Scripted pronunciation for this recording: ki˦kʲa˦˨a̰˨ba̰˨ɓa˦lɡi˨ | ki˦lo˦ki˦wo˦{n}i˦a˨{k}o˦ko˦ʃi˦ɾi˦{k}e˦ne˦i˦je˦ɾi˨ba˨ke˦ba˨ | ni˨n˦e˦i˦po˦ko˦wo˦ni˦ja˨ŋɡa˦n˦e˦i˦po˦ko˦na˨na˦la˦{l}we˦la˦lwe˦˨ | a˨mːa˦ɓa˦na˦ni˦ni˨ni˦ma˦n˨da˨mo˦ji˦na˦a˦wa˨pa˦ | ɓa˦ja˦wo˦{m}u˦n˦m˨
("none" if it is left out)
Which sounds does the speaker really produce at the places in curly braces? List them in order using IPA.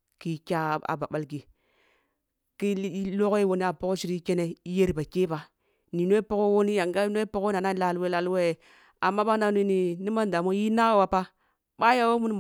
n, p, k, l, m

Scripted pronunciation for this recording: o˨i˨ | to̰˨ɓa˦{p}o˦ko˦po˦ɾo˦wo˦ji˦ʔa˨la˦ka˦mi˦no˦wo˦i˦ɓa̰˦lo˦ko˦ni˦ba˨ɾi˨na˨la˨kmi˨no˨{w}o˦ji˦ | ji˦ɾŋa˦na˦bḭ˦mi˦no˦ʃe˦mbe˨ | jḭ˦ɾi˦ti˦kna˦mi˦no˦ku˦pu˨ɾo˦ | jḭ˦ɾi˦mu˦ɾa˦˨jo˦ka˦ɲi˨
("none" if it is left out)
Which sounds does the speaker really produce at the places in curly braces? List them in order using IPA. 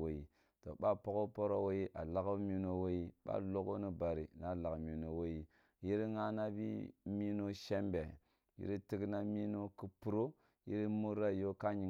p, w

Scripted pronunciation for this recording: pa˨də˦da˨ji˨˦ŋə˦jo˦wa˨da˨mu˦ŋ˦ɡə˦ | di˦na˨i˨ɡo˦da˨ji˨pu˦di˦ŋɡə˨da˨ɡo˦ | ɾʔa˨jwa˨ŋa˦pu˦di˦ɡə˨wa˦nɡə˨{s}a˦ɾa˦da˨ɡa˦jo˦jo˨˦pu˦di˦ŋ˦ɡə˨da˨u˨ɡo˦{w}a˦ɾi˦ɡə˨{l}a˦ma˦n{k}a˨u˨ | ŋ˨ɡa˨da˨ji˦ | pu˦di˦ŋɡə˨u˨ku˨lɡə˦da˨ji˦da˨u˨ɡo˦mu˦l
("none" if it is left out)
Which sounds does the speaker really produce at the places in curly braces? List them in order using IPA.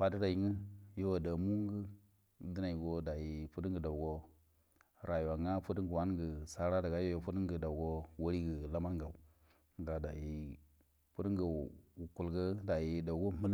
s, w, l, ɡ

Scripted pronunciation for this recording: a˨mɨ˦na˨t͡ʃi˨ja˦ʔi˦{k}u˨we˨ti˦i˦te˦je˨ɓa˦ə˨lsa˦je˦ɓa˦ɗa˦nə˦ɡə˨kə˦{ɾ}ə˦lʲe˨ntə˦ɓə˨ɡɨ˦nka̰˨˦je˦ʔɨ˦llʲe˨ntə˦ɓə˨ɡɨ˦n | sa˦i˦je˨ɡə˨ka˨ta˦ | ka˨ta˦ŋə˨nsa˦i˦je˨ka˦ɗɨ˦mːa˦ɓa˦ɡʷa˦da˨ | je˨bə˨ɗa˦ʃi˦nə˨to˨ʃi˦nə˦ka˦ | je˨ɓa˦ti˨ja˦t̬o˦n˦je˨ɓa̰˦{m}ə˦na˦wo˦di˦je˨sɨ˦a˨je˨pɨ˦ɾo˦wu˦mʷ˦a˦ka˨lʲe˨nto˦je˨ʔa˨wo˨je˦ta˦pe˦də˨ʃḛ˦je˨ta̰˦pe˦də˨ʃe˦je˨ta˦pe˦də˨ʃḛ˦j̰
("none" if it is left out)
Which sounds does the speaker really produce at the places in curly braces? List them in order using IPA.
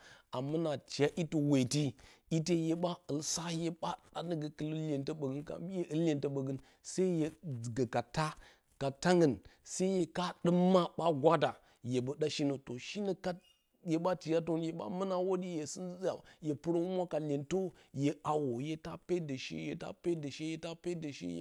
t, l, m

